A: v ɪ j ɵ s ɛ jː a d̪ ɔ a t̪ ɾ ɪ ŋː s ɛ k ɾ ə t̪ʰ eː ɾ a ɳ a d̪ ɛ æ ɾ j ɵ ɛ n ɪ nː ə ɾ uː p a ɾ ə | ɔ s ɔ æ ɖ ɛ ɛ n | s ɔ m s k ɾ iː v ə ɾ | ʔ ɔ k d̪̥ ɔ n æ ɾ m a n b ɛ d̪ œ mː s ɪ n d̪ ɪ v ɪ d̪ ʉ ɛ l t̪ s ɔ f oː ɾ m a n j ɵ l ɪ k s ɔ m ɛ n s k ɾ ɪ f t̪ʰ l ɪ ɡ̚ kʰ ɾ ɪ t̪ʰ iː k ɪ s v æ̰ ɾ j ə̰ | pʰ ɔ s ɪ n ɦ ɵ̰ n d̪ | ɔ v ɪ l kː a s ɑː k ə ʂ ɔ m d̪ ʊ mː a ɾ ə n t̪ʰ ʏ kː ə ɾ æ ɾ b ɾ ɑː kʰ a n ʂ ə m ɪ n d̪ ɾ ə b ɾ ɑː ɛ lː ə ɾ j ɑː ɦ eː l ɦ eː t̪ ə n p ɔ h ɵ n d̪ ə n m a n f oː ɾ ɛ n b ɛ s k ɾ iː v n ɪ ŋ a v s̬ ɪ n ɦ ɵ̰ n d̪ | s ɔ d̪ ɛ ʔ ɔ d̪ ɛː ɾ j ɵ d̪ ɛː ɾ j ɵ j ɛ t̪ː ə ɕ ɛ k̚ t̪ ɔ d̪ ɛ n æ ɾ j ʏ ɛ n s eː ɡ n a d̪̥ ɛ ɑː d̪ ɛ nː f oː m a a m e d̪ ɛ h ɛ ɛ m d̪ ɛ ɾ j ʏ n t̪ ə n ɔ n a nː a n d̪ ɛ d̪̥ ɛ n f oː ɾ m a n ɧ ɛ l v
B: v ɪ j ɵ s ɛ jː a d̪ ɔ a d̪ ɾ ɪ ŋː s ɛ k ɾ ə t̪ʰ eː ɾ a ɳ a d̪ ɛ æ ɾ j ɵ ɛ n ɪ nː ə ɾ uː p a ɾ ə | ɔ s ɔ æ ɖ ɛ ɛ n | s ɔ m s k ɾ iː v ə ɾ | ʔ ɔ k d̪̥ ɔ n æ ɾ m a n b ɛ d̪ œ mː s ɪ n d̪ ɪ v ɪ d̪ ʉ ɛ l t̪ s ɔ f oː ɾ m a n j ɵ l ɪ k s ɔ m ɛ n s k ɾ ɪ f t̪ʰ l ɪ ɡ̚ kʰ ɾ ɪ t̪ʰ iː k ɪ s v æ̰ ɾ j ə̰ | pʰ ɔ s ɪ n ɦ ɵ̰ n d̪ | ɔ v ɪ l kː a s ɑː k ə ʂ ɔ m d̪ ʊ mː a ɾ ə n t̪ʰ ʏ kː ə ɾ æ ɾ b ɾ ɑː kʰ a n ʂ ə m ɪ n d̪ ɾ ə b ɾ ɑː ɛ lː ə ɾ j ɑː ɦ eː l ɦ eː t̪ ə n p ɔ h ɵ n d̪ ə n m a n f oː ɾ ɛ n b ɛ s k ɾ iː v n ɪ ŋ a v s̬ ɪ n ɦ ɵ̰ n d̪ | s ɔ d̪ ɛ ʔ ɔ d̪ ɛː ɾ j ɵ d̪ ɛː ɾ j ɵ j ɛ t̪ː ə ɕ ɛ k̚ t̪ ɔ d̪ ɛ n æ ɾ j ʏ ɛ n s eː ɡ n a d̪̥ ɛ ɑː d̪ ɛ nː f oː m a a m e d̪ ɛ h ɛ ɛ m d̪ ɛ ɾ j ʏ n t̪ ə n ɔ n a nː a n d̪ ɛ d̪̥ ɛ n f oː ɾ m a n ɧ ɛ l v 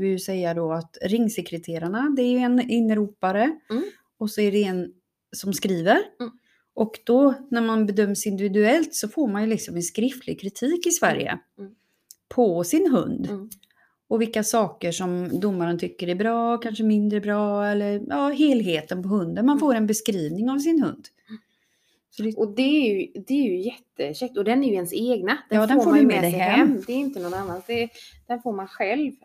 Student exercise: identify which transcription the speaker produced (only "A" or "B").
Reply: A